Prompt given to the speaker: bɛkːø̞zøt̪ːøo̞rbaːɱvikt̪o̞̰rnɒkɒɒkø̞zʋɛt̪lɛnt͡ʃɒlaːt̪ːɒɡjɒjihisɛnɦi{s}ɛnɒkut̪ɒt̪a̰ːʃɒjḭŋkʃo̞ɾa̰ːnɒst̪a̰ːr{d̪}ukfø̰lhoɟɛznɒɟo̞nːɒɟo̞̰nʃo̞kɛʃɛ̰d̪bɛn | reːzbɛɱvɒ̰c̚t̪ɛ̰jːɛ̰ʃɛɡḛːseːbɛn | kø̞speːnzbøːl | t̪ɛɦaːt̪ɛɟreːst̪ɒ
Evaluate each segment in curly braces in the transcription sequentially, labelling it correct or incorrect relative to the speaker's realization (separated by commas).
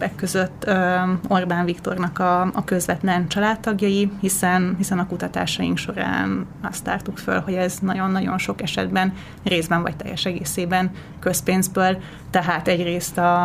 correct, incorrect